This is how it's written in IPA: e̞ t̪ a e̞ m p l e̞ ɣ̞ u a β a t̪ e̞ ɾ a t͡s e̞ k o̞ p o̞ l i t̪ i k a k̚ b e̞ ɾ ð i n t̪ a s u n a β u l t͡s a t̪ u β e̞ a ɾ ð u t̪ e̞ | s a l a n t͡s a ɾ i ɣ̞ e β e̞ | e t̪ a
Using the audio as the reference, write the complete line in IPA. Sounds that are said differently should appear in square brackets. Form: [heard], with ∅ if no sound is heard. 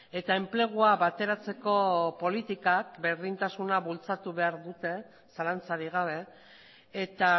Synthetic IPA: e̞ t̪ a e̞ m p l e̞ ɣ̞ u a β a t̪ e̞ ɾ a t͡s e̞ k o̞ p o̞ l i t̪ i k a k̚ b e̞ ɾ ð i n t̪ a s u n a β u l t͡s a t̪ u β e̞ a ɾ ð u t̪ e̞ | s a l a n t͡s a ɾ i ɣ̞ [a] β e̞ | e t̪ a

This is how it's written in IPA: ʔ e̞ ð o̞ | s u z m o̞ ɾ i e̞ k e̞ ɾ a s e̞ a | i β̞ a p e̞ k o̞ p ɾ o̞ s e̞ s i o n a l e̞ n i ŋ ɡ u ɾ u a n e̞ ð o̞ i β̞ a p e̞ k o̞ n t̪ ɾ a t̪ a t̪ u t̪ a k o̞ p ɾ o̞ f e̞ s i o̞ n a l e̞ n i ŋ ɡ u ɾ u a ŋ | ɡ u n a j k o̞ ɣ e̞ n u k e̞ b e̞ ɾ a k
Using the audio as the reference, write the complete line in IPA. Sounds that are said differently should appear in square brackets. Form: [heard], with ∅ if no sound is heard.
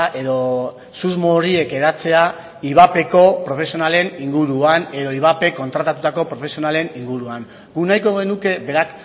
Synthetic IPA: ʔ e̞ ð o̞ | s u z m o̞ ɾ i e̞ k e̞ ɾ a [t͡s] e̞ a | i β̞ a p e̞ k o̞ p ɾ o̞ [f] e̞ s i o n a l e̞ n i ŋ ɡ u ɾ u a n e̞ ð o̞ i β̞ a p e̞ k o̞ n t̪ ɾ a t̪ a t̪ u t̪ a k o̞ p ɾ o̞ f e̞ s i o̞ n a l e̞ n i ŋ ɡ u ɾ u a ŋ | ɡ u n a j k o̞ ɣ e̞ n u k e̞ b e̞ ɾ a k

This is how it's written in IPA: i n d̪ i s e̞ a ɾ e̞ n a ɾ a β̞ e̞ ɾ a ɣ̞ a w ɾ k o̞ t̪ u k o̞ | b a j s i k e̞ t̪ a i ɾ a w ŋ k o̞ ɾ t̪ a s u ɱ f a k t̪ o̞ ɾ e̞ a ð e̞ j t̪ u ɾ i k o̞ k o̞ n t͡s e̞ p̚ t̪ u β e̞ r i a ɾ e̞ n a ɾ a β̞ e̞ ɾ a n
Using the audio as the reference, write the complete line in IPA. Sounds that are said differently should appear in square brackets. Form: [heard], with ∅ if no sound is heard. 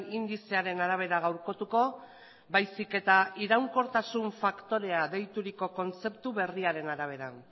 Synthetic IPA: i n d̪ i s e̞ a ɾ e̞ n a ɾ a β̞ e̞ ɾ a ɣ̞ a w ɾ k o̞ t̪ u k o̞ | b a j s i k e̞ t̪ a i ɾ a w ŋ k o̞ ɾ t̪ a s u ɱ f a k t̪ o̞ ɾ e̞ a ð e̞ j t̪ u ɾ i k o̞ k o̞ n t͡s e̞ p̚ t̪ u β e̞ r i a ɾ e̞ n a ɾ a β̞ e̞ ɾ a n

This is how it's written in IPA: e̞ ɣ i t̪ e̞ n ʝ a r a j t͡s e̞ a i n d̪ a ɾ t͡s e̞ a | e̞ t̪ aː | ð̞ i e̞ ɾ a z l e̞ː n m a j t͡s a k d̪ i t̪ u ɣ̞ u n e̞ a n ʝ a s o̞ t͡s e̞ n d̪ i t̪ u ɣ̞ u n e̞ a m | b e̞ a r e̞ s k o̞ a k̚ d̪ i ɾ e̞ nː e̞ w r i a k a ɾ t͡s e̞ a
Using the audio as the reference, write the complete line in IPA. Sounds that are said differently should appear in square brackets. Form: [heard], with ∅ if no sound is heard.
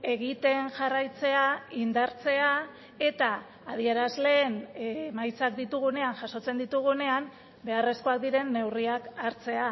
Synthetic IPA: e̞ ɣ i t̪ e̞ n ʝ a r a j t͡s e̞ a i n d̪ a ɾ t͡s e̞ a | e̞ t̪ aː | ð̞ i e̞ ɾ a z l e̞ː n m a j t͡s a k d̪ i t̪ u ɣ̞ u n e̞ a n ʝ a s o̞ t͡s e̞ n d̪ i t̪ u ɣ̞ u n e̞ a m | b e̞ a r e̞ s k o̞ a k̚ d̪ i ɾ e̞ nː e̞ w r i a k a ɾ t͡s e̞ a

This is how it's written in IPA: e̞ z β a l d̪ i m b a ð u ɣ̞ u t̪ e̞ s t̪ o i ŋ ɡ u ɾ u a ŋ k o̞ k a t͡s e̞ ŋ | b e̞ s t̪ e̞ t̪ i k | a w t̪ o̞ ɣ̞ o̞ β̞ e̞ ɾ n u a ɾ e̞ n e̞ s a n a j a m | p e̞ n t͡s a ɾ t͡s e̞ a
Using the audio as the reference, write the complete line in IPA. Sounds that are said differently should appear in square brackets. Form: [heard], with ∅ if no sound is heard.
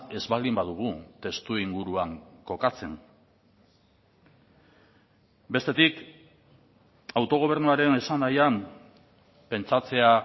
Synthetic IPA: e̞ z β a l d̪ i m b a ð u ɣ̞ u t̪ e̞ s t̪ [u] i ŋ ɡ u ɾ u a ŋ k o̞ k a t͡s e̞ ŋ | b e̞ s t̪ e̞ t̪ i k | a w t̪ o̞ ɣ̞ o̞ β̞ e̞ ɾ n u a ɾ e̞ n e̞ s a n a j a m | p e̞ n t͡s a [∅] t͡s e̞ a

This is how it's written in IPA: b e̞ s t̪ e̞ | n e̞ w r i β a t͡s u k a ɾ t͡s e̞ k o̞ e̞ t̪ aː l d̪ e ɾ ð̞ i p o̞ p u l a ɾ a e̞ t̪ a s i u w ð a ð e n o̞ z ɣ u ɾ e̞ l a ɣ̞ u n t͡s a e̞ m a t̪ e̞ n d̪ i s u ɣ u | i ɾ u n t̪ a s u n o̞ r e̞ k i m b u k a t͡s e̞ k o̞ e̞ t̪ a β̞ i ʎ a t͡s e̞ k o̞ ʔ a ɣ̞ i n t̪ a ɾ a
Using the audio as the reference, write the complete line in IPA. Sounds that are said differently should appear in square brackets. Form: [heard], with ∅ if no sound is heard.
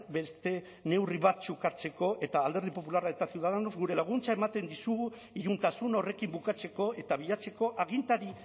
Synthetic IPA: b e̞ s t̪ e̞ | n e̞ w r i β a t͡s u k a ɾ t͡s e̞ k o̞ e̞ t̪ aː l d̪ e ɾ ð̞ i p o̞ p u l a ɾ a e̞ t̪ a s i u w ð a ð e n o̞ z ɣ u ɾ e̞ l a ɣ̞ u n t͡s a e̞ m a t̪ e̞ n d̪ i s u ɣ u | i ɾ u n t̪ a s u n o̞ r e̞ k i m b u k a t͡s e̞ k o̞ e̞ t̪ a β̞ i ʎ a t͡s e̞ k o̞ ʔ a ɣ̞ i n t̪ a ɾ [i]

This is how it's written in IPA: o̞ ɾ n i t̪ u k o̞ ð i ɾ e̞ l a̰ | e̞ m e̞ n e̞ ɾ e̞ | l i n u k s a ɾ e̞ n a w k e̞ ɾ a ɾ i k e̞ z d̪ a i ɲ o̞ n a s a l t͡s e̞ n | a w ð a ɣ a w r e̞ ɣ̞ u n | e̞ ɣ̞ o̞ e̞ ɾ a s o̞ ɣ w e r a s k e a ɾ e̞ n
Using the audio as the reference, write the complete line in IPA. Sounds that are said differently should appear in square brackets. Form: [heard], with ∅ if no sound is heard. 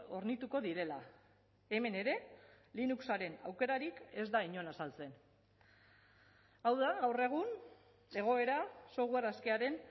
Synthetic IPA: o̞ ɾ n i t̪ u k o̞ ð i ɾ e̞ l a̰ | e̞ m e̞ n e̞ ɾ e̞ | l i n u k s a ɾ e̞ n a w k e̞ ɾ a ɾ i k e̞ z d̪ a i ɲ o̞ n a s a l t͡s e̞ n | a w ð a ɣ a w r e̞ ɣ̞ u n | e̞ ɣ̞ o̞ e̞ ɾ a s o̞ ɣ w e r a s k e a ɾ e̞ n

